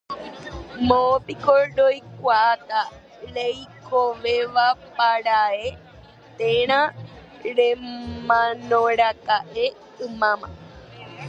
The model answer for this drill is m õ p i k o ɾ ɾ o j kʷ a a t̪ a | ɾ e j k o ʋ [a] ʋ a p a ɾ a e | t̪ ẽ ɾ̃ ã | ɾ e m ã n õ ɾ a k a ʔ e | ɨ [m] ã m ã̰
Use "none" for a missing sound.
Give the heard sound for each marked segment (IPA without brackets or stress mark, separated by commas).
e, m